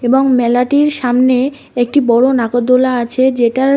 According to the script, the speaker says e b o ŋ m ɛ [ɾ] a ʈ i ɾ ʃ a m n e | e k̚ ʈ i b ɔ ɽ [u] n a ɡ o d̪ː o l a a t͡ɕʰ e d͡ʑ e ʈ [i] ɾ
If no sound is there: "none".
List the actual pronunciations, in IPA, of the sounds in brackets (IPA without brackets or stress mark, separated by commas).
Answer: l, o, a